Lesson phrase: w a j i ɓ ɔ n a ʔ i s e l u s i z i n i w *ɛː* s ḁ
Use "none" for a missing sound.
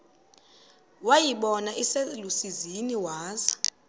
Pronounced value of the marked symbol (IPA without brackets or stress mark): aː